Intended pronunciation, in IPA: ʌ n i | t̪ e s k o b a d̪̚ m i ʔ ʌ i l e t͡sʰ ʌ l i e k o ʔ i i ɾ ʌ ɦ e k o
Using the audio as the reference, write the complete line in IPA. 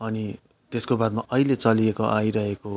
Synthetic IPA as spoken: ʌ n i | t̪ e s k o b a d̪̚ m a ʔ ʌ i l e t͡s ʌ l i e k o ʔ a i ɾ ʌ ɦ e k o